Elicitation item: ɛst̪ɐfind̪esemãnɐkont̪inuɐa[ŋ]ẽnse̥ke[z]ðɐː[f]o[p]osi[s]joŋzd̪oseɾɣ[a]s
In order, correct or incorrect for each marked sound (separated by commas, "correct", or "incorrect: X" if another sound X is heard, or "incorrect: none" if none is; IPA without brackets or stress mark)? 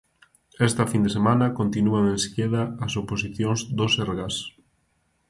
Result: correct, incorrect: none, incorrect: s, correct, incorrect: θ, correct